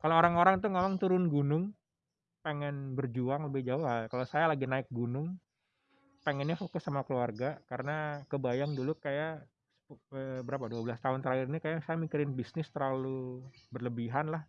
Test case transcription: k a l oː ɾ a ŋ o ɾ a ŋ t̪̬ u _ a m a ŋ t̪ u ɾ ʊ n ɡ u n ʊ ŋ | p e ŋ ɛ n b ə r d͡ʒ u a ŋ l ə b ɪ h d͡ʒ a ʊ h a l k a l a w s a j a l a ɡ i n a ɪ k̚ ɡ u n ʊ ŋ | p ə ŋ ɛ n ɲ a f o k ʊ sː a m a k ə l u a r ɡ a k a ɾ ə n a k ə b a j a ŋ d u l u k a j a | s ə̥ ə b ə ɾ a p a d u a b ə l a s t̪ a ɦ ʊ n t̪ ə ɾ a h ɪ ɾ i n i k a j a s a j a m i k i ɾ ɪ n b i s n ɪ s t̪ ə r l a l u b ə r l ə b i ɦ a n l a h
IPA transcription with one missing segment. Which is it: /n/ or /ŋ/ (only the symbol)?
ŋ